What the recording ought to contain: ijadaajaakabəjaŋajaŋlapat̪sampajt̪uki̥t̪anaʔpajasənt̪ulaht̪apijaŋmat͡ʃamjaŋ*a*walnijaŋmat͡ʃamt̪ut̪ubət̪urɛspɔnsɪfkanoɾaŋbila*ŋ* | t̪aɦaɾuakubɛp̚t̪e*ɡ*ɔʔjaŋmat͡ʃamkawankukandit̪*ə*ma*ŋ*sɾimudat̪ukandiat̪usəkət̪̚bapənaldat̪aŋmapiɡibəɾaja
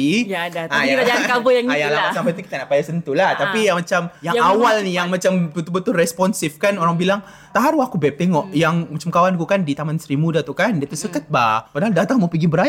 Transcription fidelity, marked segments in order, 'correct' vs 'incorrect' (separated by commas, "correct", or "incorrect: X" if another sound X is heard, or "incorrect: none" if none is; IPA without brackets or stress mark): correct, correct, incorrect: ŋ, incorrect: a, incorrect: n